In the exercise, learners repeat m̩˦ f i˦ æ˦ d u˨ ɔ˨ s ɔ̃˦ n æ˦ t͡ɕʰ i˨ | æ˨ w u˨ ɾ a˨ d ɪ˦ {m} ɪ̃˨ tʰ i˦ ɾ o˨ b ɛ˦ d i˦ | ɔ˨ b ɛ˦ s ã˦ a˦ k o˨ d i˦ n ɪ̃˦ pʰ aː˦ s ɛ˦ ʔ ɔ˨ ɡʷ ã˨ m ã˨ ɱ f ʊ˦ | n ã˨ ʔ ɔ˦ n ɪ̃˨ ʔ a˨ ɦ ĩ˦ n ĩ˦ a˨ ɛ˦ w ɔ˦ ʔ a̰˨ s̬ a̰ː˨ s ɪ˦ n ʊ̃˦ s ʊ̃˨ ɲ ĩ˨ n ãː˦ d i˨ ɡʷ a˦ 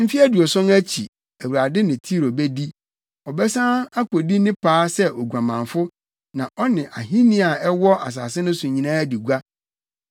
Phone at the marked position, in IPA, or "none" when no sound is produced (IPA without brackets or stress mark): n